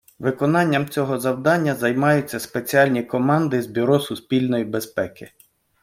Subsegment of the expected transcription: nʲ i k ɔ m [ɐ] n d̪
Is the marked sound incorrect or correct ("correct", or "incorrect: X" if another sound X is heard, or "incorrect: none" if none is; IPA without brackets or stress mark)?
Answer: incorrect: ɑ